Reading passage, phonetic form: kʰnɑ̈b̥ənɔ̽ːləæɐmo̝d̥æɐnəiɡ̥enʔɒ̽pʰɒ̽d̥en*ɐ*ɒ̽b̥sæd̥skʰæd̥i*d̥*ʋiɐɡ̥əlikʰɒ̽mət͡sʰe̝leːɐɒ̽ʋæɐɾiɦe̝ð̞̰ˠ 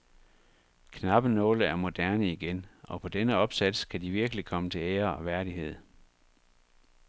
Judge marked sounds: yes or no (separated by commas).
no, no